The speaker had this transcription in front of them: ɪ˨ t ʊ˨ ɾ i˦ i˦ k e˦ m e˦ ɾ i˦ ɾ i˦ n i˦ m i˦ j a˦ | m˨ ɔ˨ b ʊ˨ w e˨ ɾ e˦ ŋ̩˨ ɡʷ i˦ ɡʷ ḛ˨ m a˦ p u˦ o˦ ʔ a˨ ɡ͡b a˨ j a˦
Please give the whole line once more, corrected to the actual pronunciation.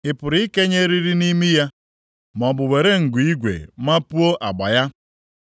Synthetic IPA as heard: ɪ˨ p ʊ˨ ɾ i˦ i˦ k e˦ ɲ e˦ ɾ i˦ ɾ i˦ n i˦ m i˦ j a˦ | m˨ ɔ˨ b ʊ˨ w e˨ ɾ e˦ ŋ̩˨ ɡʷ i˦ ɡʷ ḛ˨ m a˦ p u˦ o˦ ʔ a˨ ɡ͡b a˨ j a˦